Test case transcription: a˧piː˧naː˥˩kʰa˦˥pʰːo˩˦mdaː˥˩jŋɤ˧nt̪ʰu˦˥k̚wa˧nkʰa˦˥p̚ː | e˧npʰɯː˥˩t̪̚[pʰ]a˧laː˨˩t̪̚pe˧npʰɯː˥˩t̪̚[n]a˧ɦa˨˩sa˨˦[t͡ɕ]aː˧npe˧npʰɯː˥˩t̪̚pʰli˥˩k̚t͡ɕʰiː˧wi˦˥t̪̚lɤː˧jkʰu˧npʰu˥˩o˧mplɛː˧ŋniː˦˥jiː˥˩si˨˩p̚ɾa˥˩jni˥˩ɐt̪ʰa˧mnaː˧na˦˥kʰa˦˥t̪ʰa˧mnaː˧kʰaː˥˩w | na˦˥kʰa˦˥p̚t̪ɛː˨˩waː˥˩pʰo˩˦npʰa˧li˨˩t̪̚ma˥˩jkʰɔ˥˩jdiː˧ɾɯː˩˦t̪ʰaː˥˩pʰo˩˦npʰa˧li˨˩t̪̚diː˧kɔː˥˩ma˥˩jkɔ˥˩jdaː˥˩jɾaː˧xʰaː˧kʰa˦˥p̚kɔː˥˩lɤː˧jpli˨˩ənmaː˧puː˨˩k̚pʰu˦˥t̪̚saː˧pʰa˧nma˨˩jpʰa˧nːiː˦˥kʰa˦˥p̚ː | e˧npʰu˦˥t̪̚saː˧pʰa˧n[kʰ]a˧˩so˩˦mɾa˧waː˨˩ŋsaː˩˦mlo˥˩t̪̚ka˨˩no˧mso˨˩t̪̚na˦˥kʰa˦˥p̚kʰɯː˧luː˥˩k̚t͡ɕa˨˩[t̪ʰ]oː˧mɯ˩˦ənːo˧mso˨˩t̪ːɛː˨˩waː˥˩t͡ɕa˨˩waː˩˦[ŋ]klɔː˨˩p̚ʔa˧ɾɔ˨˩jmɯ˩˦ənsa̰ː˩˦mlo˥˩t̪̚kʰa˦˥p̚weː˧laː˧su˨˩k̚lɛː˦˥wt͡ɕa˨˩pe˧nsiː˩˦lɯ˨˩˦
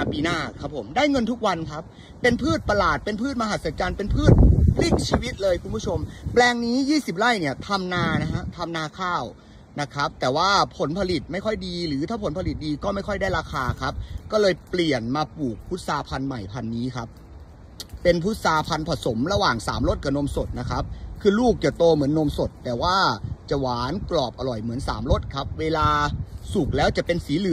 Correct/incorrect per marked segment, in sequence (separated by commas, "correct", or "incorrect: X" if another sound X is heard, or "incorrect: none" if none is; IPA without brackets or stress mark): incorrect: p, incorrect: m, correct, incorrect: pʰ, incorrect: t̪, incorrect: n